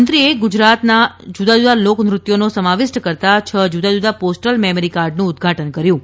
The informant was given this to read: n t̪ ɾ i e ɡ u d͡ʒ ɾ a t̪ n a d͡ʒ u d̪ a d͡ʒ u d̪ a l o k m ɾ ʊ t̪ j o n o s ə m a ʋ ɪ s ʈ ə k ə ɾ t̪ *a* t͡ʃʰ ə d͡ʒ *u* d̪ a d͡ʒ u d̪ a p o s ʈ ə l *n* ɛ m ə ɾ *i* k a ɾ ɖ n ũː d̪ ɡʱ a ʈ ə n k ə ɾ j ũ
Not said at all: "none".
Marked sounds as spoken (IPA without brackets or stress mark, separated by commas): a, u, m, i